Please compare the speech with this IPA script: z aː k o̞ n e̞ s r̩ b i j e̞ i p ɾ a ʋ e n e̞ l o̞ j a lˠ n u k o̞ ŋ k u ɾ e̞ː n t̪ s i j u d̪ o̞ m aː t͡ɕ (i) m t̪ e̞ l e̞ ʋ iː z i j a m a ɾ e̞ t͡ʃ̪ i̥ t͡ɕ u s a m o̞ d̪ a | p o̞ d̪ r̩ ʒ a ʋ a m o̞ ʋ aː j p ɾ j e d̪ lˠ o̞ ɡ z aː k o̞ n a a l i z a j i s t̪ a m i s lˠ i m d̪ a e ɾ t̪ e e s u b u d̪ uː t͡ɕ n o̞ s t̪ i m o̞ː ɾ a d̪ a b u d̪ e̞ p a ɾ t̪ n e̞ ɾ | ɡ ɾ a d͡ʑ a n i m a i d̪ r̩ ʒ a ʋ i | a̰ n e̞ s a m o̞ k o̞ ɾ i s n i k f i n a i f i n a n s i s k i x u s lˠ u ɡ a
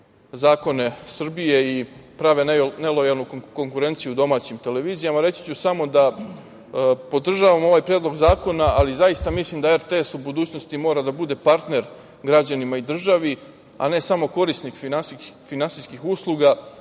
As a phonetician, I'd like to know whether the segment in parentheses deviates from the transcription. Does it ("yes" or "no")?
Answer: no